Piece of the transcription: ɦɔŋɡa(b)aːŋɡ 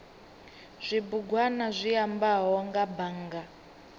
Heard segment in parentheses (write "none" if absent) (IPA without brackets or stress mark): b